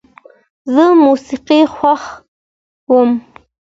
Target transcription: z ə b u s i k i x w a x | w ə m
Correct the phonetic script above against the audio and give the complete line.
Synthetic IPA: z ə m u s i q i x w a x | w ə m